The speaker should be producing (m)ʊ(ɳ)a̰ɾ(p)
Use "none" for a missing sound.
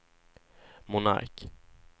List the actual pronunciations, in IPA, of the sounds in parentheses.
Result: m, n, k

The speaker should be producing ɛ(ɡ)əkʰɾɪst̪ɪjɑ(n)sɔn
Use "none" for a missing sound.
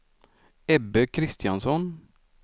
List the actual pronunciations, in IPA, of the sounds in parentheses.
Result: b, n

